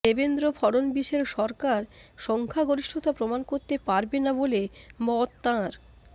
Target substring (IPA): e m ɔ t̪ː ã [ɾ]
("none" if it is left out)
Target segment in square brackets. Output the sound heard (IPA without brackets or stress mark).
ɾ